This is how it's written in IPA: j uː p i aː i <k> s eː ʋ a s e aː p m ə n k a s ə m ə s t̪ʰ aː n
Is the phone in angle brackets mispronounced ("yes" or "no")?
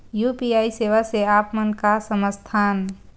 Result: yes